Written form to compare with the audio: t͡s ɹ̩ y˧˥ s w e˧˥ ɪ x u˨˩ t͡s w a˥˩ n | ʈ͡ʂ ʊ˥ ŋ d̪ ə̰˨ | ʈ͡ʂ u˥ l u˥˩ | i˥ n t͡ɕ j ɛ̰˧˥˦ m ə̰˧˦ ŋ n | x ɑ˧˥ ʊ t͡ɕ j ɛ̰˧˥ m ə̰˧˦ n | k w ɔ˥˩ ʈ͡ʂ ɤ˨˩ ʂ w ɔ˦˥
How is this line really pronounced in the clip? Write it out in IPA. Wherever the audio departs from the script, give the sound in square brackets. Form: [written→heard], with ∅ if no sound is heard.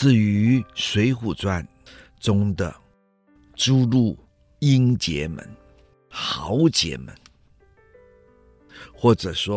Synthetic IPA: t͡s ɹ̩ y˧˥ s w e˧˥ ɪ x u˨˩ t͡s w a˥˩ n | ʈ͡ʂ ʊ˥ ŋ d̪ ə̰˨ | ʈ͡ʂ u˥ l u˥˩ | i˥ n t͡ɕ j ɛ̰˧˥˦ m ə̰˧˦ [ŋ→∅] n | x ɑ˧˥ ʊ t͡ɕ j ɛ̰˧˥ m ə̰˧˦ n | [k→x] w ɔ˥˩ ʈ͡ʂ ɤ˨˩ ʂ w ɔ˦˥